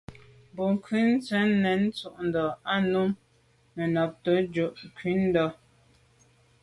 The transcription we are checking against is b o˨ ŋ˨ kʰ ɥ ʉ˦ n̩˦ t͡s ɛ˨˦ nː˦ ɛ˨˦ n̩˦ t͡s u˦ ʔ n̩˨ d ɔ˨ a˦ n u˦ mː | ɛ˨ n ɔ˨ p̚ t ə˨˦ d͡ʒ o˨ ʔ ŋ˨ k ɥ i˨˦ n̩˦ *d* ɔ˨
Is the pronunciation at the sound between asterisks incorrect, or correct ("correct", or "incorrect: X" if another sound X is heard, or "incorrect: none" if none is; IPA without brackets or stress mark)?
correct